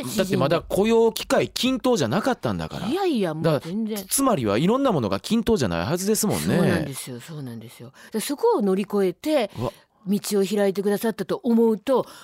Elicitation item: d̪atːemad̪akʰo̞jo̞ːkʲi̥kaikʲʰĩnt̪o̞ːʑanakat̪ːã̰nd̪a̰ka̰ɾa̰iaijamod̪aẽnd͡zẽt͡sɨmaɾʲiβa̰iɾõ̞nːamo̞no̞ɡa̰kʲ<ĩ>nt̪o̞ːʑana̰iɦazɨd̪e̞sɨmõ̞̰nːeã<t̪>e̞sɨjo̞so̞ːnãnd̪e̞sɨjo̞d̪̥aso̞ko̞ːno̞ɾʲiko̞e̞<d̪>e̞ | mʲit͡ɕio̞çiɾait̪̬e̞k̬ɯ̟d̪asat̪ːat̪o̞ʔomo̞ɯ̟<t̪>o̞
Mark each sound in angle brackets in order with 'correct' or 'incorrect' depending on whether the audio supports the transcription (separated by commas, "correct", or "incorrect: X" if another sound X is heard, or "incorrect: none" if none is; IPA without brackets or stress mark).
correct, incorrect: d̪, incorrect: t̪, correct